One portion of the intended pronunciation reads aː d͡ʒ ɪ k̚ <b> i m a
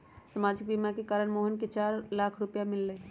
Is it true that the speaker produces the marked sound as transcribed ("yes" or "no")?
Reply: yes